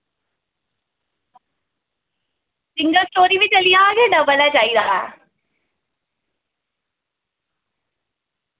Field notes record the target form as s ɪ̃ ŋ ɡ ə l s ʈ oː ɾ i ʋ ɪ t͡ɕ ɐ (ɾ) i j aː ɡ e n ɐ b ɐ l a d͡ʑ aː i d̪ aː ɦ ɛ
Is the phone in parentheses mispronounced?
yes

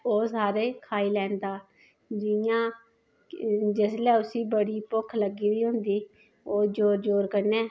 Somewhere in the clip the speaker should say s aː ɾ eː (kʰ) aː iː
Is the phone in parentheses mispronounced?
no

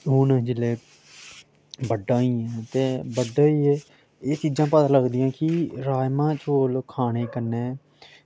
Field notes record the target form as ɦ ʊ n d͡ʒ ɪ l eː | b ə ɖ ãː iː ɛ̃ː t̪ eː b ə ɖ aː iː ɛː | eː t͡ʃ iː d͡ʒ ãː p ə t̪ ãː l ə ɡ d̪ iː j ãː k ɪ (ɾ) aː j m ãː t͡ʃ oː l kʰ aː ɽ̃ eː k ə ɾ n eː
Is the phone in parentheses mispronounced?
no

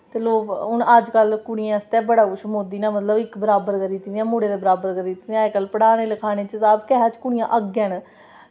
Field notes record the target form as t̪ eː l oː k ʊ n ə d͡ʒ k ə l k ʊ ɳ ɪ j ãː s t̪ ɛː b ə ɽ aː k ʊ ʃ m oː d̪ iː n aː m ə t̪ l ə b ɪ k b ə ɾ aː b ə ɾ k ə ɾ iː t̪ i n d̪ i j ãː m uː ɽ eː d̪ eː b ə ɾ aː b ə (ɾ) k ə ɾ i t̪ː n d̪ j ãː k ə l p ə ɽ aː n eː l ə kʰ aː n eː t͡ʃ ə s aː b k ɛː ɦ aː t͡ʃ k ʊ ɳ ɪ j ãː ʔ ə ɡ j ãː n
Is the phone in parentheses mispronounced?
no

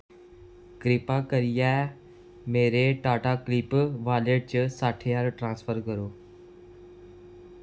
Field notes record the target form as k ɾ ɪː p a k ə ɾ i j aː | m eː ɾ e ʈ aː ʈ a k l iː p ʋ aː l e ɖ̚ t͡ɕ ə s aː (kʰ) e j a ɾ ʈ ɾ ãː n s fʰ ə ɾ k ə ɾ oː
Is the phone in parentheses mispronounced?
yes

